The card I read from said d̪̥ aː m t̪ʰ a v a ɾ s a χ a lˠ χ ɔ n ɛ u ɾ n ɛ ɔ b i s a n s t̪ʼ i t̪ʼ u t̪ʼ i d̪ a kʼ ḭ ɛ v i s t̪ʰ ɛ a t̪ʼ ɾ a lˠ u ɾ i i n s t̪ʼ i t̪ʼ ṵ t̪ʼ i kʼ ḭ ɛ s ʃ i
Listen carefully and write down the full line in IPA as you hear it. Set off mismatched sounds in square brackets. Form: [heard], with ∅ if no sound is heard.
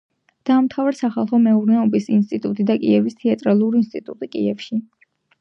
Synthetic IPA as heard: d̪̥ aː m t̪ʰ a v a ɾ s a χ a lˠ χ ɔ [m] ɛ u ɾ n ɛ ɔ b i s [i] n s t̪ʼ i t̪ʼ u t̪ʼ i d̪ a kʼ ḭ ɛ v i s t̪ʰ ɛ a t̪ʼ ɾ a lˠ u ɾ i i n s t̪ʼ i t̪ʼ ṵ t̪ʼ i kʼ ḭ ɛ [f] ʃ i